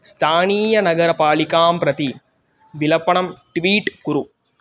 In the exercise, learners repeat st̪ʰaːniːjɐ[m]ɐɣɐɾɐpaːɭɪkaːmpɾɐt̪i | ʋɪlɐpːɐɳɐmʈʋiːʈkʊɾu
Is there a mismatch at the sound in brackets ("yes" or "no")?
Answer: yes